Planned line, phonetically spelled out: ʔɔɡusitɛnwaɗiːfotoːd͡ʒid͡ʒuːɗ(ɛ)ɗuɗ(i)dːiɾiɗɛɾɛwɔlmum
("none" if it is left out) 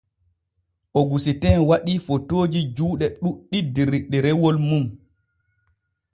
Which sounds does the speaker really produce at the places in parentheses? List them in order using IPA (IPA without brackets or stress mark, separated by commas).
ɛ, i